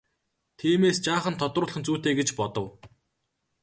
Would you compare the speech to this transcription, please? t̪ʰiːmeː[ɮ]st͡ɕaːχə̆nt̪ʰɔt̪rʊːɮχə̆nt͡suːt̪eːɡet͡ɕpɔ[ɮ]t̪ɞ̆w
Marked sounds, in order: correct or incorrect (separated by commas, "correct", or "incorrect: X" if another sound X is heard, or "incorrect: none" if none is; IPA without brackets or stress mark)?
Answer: incorrect: none, incorrect: none